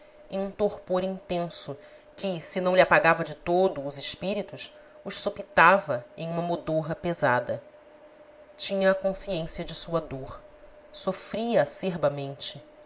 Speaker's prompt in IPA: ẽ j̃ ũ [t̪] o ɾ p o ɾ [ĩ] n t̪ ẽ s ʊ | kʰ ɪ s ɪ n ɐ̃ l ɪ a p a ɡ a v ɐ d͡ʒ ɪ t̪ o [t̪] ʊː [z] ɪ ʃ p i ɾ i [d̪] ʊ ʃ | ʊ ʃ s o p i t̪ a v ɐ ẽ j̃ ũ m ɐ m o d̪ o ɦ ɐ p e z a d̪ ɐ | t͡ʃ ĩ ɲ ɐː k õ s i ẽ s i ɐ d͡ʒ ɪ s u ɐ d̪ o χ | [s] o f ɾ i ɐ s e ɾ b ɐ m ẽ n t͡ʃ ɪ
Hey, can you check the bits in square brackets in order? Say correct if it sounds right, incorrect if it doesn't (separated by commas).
correct, correct, incorrect, correct, incorrect, correct